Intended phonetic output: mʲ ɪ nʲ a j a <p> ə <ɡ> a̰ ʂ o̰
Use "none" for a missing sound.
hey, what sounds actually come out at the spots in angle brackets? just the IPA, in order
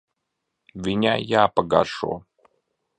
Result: p, ɡ

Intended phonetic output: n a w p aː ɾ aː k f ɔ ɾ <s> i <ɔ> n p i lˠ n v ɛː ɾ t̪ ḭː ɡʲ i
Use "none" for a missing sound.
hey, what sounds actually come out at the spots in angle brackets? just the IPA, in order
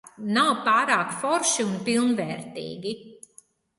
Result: ʃ, u

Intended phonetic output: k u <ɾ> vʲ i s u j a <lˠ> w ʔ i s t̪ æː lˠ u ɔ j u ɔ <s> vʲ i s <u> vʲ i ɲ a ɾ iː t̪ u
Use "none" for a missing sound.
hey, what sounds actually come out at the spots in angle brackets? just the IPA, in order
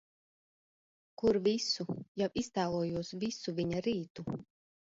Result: ɾ, none, s, u

